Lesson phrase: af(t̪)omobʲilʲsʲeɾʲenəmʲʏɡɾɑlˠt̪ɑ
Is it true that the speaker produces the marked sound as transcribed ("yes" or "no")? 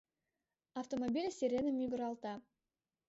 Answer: yes